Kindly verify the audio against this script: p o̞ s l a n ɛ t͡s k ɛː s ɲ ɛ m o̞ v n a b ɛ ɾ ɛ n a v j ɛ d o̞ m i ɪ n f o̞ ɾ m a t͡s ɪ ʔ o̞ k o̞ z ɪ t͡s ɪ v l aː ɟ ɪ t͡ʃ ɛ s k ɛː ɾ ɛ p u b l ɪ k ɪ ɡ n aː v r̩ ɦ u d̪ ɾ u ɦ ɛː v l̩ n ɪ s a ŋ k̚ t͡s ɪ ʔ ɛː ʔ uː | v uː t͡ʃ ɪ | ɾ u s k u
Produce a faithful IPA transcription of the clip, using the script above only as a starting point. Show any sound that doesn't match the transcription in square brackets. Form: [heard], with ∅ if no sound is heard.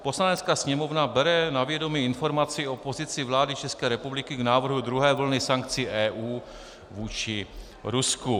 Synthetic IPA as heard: p o̞ s l a n ɛ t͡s k [aː] s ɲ ɛ m o̞ v n a b ɛ ɾ ɛ n a v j ɛ d o̞ m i ɪ n f o̞ ɾ m a t͡s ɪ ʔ o̞ [p] o̞ z ɪ t͡s ɪ v l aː [d] ɪ t͡ʃ ɛ s k ɛː ɾ ɛ p u b l ɪ k ɪ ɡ n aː v r̩ ɦ u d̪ ɾ u ɦ ɛː v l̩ n ɪ s a ŋ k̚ t͡s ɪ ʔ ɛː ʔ uː | v uː t͡ʃ ɪ | ɾ u s k u